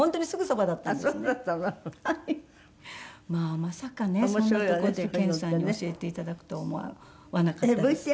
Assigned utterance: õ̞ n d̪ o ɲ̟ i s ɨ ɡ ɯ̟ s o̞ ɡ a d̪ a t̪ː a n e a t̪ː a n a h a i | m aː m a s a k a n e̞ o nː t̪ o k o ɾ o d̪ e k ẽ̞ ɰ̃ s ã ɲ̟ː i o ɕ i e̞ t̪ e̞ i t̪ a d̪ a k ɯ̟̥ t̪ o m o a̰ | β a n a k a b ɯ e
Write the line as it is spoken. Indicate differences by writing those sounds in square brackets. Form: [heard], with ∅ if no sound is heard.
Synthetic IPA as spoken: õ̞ n [t̪] o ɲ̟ i s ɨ ɡ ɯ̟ s o̞ [b] a d̪ a t̪ː a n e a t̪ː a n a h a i | m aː m a s a k a n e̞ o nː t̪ o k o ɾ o d̪ e k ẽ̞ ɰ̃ s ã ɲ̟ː i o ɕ i e̞ t̪ e̞ i t̪ a d̪ a k ɯ̟̥ t̪ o m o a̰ | β a n a k a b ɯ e

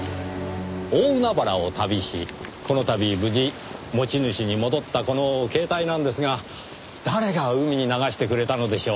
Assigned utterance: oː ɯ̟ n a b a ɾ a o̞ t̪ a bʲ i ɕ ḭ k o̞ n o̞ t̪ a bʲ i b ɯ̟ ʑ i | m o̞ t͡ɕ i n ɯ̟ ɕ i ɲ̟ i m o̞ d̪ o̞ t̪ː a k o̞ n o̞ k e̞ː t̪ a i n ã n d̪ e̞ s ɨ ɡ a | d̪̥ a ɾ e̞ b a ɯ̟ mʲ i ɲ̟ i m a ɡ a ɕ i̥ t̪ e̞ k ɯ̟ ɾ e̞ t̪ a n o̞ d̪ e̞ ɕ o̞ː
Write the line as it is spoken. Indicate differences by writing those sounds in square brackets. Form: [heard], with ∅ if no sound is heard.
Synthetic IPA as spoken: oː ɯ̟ n a b a ɾ a o̞ t̪ a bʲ i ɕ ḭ k o̞ n o̞ t̪ a bʲ i b ɯ̟ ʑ i | m o̞ t͡ɕ i n ɯ̟ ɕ i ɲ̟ i m o̞ d̪ o̞ t̪ː a k o̞ n o̞ k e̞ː t̪ a i n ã n d̪ e̞ s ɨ ɡ a | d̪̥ a ɾ e̞ [ɡ] a ɯ̟ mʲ i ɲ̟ i [n] a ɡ a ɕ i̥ t̪ e̞ k ɯ̟ ɾ e̞ t̪ a n o̞ d̪ e̞ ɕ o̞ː

